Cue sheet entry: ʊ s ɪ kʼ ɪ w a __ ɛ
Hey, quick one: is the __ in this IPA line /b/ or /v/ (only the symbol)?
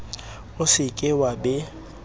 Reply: b